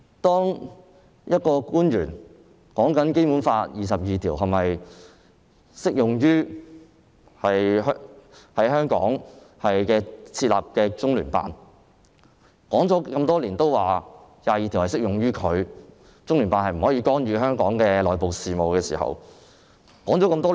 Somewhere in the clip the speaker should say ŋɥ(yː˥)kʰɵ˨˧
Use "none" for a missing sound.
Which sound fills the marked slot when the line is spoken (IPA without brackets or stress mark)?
yː˥